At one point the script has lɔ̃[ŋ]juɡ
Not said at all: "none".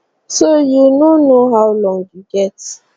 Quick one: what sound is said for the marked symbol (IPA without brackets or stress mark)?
ŋ